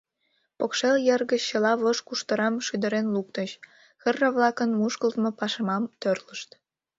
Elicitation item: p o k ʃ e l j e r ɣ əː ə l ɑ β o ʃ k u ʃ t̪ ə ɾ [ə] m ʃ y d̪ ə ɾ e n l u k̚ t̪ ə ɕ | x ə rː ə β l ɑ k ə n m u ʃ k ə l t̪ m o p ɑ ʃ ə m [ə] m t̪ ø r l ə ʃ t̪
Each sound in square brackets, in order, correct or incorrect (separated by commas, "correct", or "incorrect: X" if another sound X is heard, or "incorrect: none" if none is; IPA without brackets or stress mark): incorrect: ɑ, incorrect: ɑ